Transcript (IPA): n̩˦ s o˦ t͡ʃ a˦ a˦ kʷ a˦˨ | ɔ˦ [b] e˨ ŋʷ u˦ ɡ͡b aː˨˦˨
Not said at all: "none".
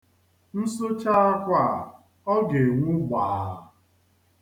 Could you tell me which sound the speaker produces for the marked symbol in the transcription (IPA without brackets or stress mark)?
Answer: ɡ